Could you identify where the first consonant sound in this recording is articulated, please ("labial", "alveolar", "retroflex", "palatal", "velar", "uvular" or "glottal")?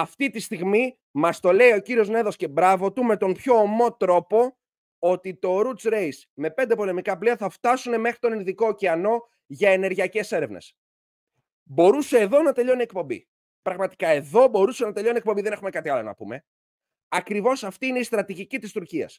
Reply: labial